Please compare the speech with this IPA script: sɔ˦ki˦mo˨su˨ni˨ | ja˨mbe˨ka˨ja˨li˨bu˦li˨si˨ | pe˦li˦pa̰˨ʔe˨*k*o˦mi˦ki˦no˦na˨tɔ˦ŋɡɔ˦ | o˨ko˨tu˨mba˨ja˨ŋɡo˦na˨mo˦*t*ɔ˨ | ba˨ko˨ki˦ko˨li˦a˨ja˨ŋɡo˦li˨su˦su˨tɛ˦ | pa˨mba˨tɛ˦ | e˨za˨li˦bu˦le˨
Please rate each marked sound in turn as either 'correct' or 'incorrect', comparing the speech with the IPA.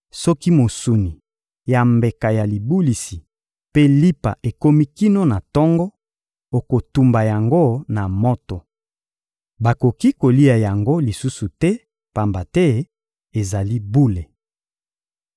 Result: correct, correct

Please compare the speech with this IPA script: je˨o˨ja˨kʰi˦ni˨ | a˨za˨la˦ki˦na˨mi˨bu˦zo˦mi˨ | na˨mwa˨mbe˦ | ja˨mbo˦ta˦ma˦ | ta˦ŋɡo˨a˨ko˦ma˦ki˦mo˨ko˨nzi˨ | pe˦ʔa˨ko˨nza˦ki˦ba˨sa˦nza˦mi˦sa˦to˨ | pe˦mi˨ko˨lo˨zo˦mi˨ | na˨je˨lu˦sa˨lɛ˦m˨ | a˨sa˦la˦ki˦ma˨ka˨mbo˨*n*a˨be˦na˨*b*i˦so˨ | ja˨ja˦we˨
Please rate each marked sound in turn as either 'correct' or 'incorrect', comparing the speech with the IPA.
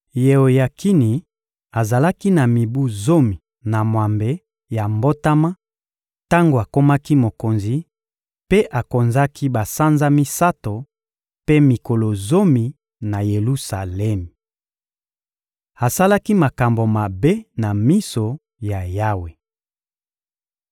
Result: incorrect: m, incorrect: m

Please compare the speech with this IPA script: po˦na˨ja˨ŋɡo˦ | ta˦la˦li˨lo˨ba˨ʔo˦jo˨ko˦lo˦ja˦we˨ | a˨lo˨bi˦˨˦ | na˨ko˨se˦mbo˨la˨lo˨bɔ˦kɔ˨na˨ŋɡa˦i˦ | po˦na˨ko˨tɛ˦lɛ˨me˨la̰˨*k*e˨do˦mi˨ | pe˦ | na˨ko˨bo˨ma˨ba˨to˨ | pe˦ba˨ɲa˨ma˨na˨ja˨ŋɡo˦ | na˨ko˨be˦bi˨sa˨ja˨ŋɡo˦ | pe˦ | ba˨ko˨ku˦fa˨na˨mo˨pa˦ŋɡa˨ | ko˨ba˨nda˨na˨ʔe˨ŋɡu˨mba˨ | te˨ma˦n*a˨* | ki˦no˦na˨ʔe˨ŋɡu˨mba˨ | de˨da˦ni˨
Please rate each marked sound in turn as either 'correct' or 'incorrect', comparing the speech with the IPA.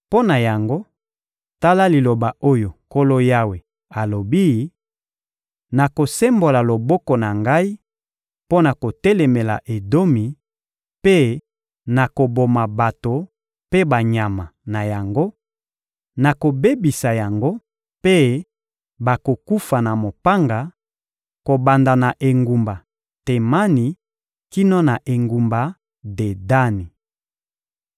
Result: incorrect: ʔ, incorrect: i˨

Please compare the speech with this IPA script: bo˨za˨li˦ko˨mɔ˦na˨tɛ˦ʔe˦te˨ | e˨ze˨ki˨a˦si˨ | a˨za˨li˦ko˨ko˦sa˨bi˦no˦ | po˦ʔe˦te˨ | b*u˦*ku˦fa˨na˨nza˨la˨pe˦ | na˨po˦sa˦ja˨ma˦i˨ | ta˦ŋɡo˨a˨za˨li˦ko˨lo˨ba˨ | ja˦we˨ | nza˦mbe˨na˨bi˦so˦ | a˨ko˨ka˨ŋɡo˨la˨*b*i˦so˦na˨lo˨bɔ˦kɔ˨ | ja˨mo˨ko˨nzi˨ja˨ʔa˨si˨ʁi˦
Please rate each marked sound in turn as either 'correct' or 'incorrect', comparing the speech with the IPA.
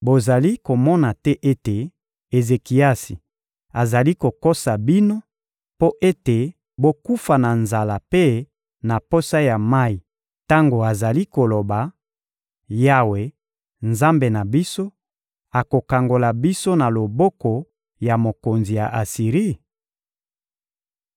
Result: incorrect: o˦, correct

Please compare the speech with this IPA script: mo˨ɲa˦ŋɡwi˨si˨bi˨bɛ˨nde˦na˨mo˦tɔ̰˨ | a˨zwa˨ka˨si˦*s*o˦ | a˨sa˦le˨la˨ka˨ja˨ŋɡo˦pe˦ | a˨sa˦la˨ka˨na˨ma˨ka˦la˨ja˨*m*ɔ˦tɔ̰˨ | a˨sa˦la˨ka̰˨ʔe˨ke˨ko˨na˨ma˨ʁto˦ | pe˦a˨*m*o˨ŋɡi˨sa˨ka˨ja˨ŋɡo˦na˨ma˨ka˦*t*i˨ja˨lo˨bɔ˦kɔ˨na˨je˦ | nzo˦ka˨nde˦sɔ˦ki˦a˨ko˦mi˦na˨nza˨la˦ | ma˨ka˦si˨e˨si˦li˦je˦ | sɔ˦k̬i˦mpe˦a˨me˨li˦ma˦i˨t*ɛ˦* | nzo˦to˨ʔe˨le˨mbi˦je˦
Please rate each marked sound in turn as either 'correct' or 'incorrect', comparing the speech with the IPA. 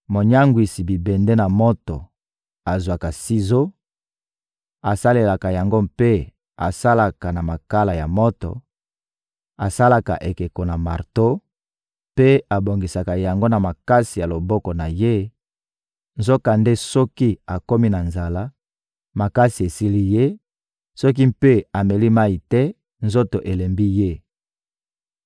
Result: incorrect: z, correct, incorrect: b, incorrect: s, correct

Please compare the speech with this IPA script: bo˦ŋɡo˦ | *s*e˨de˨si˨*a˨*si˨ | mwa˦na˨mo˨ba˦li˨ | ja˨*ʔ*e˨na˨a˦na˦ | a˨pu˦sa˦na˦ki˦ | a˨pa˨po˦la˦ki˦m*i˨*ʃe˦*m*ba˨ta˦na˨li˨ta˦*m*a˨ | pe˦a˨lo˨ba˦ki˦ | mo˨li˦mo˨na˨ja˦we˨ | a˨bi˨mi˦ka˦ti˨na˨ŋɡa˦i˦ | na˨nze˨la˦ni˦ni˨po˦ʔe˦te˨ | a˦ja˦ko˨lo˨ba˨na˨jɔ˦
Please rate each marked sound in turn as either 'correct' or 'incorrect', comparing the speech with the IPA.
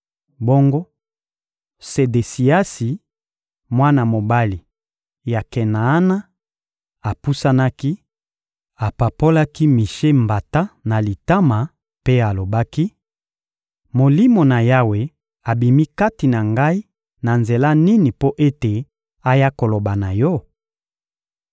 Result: correct, incorrect: a˦, incorrect: k, correct, correct, correct

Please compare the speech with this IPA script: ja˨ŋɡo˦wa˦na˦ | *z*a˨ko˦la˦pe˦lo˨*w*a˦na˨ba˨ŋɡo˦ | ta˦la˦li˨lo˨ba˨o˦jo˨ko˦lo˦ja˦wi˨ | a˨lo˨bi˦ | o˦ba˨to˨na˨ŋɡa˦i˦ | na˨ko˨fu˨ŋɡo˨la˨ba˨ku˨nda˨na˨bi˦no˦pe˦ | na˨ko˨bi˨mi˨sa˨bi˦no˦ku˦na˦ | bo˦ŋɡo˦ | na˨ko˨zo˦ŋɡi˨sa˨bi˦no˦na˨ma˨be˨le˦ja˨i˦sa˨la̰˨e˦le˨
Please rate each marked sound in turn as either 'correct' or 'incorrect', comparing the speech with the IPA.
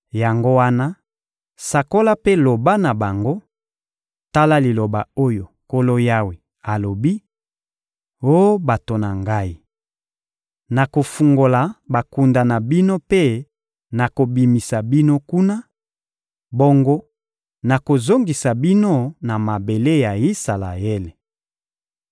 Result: incorrect: s, incorrect: b

